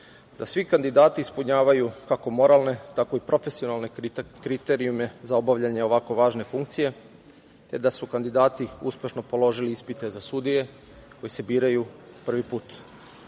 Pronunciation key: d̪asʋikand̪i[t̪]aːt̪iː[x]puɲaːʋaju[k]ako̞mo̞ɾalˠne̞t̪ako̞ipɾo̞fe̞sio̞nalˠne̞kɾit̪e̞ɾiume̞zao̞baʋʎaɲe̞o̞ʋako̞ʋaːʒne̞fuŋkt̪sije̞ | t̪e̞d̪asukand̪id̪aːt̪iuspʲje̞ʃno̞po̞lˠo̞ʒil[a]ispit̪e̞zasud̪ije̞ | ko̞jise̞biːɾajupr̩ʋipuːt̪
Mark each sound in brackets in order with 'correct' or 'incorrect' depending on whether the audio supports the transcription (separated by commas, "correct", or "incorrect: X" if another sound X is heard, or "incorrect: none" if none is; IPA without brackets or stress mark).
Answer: incorrect: d̪, incorrect: s, correct, incorrect: i